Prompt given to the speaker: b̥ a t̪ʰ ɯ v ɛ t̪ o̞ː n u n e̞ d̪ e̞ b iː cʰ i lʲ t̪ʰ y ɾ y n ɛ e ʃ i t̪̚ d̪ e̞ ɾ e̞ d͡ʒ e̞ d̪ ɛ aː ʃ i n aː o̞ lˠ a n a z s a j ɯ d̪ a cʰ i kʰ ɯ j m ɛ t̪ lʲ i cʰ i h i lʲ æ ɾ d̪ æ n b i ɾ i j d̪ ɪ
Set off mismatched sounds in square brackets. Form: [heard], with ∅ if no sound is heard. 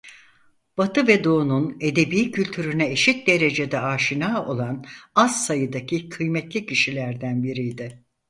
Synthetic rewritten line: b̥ a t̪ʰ ɯ v ɛ [d̪] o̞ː n u n e̞ d̪ e̞ b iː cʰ [y] lʲ t̪ʰ y ɾ y n ɛ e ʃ i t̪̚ d̪ e̞ ɾ e̞ d͡ʒ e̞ d̪ ɛ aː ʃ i n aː o̞ lˠ a n a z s a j ɯ d̪ a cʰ i kʰ ɯ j m ɛ t̪ lʲ i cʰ i [ʃ] i lʲ æ ɾ d̪ æ n b i ɾ i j d̪ ɪ

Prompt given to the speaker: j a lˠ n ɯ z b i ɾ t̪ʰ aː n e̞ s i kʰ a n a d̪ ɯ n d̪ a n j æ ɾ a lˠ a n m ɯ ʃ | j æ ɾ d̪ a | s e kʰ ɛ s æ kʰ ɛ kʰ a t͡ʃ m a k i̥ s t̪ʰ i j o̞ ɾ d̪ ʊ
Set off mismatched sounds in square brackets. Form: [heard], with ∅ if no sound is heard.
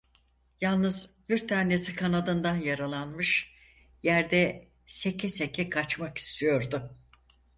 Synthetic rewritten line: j a lˠ n ɯ z b i ɾ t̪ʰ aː n e̞ s i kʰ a n a d̪ ɯ n d̪ a n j [a] ɾ a lˠ a n m ɯ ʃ | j æ ɾ d̪ [ɛ] | s e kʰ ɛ s [e] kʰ ɛ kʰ a t͡ʃ m a k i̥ s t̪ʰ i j o̞ ɾ d̪ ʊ

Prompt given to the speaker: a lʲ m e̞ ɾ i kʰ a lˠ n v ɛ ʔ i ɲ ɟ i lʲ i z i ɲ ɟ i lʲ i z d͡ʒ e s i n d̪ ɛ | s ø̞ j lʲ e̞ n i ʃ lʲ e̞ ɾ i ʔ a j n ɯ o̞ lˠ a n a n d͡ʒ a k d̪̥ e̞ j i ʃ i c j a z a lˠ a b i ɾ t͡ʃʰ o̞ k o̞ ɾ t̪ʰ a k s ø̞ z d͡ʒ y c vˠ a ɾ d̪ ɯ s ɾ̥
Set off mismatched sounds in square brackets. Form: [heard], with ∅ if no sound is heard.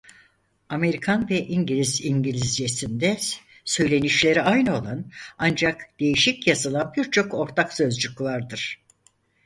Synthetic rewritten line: a [∅] m e̞ ɾ i kʰ a [∅] n v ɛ ʔ i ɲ ɟ i lʲ i z i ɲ ɟ i lʲ i z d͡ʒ e s i n d̪ ɛ | s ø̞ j lʲ e̞ n i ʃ lʲ e̞ ɾ i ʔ a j n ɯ o̞ lˠ a n a n d͡ʒ a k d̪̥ e̞ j i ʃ i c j a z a lˠ a b i ɾ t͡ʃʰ o̞ k o̞ ɾ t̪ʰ a k s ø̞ z d͡ʒ y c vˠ a ɾ d̪ ɯ [∅] ɾ̥

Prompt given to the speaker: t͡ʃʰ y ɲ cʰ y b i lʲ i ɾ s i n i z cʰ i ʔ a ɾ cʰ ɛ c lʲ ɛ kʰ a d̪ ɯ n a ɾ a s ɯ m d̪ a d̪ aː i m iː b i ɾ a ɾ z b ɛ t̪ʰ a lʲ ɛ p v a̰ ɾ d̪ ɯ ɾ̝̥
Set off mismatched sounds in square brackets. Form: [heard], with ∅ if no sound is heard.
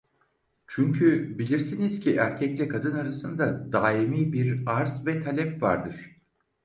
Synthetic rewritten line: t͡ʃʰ y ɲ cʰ y b i lʲ i ɾ s i n i z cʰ i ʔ [æ] ɾ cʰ ɛ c lʲ ɛ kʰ a d̪ ɯ n a ɾ a s ɯ [n] d̪ a d̪ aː i m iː b i ɾ a ɾ z [v] ɛ t̪ʰ a lʲ ɛ p v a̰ ɾ d̪ ɯ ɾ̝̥

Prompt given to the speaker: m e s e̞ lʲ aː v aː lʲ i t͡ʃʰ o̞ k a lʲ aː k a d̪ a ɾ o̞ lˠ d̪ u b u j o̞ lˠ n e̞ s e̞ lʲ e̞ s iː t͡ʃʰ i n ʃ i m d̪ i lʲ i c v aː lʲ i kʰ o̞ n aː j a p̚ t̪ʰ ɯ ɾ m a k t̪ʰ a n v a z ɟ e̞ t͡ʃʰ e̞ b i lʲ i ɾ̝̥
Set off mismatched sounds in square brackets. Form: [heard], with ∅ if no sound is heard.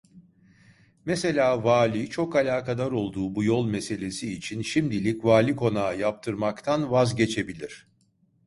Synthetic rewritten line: m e s e̞ lʲ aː v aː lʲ i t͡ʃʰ o̞ k a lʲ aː k a d̪ a ɾ o̞ lˠ d̪ [uː] b u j o̞ lˠ [m] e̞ s e̞ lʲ e̞ s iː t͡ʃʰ i n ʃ i m d̪ i lʲ i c v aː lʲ i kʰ o̞ n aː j a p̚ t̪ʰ ɯ ɾ m a k t̪ʰ a n v a z ɟ e̞ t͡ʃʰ e̞ b i lʲ i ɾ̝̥

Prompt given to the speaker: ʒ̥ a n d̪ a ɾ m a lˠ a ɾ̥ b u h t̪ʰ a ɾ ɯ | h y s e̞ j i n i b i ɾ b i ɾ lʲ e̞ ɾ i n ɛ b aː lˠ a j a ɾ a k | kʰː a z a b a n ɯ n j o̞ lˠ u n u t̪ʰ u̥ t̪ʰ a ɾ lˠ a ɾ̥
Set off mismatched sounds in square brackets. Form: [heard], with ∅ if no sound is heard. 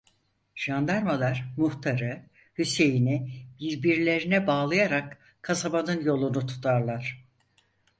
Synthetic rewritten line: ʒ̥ a n d̪ a ɾ m a lˠ a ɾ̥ [m] u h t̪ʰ a ɾ ɯ | h y s e̞ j i n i b i ɾ b i ɾ lʲ e̞ ɾ i n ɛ b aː lˠ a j a ɾ a k | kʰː a [s] a b a n ɯ n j o̞ lˠ u n u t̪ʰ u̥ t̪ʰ a ɾ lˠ a ɾ̥

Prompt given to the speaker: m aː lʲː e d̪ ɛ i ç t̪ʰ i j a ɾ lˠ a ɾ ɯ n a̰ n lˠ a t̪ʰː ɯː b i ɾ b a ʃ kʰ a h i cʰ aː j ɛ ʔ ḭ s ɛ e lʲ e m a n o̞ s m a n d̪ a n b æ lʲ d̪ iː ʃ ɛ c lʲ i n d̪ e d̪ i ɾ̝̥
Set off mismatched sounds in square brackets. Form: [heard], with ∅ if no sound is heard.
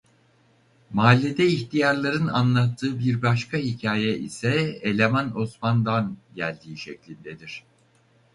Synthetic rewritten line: m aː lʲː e d̪ ɛ i ç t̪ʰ i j a ɾ lˠ a ɾ ɯ n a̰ n lˠ a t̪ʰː ɯː b i ɾ b a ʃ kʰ a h i cʰ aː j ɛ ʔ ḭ s ɛ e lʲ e m a n o̞ s m a n d̪ a n [ɟ] æ lʲ d̪ iː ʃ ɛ c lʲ i n d̪ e d̪ i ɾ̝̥

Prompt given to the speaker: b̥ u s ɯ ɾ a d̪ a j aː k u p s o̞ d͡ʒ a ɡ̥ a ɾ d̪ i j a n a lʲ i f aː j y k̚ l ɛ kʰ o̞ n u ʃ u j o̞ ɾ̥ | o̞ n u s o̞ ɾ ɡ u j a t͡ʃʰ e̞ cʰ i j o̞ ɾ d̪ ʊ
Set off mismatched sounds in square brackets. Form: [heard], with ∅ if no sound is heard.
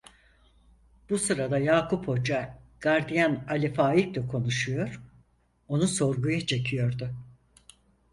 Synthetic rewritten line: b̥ u s ɯ ɾ a d̪ a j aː k u p [h] o̞ d͡ʒ a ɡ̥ a ɾ d̪ i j a n a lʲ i f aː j [i] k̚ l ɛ kʰ o̞ n u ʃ u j o̞ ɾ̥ | o̞ n u s o̞ ɾ ɡ u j a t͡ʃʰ e̞ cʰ i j o̞ ɾ d̪ ʊ

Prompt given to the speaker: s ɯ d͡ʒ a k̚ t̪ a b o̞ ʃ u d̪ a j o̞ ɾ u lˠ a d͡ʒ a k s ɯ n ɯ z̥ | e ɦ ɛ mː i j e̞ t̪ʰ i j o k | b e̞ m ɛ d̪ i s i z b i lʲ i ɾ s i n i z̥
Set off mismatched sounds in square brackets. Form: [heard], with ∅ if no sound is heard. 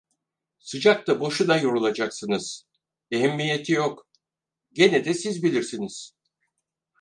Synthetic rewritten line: s ɯ d͡ʒ a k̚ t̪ a b o̞ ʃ u d̪ a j o̞ ɾ u lˠ a d͡ʒ a k s ɯ n ɯ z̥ | e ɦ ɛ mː i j e̞ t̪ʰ i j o k | [ɟ] e̞ [n] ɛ d̪ [ɛ] s i z b i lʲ i ɾ s i n i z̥

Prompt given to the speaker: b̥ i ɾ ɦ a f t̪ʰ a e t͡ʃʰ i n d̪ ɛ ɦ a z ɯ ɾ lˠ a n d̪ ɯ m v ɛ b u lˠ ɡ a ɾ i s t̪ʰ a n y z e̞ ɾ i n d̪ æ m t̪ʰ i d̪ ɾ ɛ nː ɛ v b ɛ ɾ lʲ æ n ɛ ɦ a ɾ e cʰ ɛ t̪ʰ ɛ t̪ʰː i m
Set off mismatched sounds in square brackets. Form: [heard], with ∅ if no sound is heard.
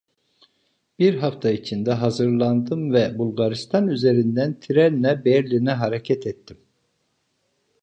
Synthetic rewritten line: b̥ i ɾ ɦ a f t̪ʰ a [i] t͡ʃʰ i n d̪ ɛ ɦ a z ɯ ɾ lˠ a n d̪ ɯ m v ɛ b u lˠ ɡ a ɾ i s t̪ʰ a n y z e̞ ɾ i n d̪ æ [n] t̪ʰ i [∅] ɾ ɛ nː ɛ [∅] b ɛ ɾ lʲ [i] n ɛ ɦ a ɾ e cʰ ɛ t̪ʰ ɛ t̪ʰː i m

